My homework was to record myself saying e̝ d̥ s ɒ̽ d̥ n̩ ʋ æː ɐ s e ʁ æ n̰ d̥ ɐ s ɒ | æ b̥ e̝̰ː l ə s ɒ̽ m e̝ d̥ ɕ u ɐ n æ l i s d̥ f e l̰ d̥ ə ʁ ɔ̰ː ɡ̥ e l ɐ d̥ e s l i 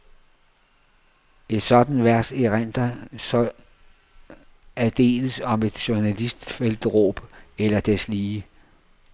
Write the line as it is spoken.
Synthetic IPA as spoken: e̝ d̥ s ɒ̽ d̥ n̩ ʋ æ ɐ s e ʁ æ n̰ d̥ ɐ s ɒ | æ d̥ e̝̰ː l ə s ɒ̽ m e̝ d̥ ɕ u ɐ n æ l i s d̥ f e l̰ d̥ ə ʁ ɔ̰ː b̥ e l ɐ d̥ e s l iː